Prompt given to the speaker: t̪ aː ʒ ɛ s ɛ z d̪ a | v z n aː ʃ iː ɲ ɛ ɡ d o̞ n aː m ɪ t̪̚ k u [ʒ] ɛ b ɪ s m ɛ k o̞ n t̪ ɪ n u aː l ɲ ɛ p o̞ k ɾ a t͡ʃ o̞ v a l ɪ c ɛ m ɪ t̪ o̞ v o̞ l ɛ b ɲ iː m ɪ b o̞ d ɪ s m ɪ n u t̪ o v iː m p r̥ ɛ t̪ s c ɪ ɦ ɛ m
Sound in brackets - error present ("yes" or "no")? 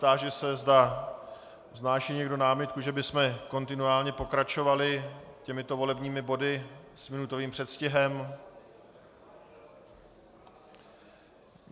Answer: no